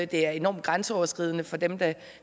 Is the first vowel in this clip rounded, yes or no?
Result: no